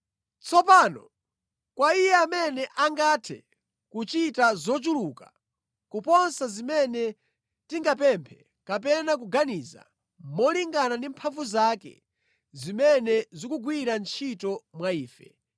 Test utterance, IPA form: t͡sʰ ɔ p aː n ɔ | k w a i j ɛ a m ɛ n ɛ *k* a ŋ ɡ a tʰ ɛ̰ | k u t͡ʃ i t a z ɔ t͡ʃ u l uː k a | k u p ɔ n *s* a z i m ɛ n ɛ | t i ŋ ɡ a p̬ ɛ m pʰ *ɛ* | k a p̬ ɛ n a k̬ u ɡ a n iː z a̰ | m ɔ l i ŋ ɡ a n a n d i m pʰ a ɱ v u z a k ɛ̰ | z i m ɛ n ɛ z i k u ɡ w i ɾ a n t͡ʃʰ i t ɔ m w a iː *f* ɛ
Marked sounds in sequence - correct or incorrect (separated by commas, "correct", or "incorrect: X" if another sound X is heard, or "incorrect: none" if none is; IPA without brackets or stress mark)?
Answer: incorrect: ʔ, correct, correct, correct